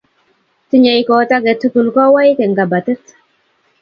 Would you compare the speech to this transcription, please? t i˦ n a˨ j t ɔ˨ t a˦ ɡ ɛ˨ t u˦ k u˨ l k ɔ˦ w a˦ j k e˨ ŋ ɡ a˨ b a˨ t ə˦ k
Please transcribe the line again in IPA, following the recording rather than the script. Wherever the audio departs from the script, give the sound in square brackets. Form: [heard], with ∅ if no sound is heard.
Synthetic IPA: t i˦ [ɲ] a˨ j [k] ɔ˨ t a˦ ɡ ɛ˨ t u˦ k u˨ l k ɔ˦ w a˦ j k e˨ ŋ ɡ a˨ b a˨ t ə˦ [t]